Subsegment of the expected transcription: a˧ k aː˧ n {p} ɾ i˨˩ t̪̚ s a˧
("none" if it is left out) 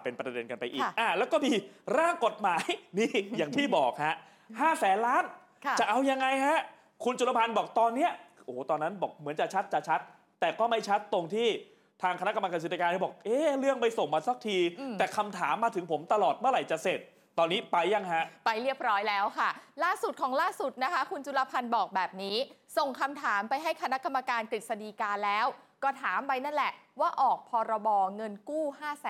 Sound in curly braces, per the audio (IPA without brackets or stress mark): k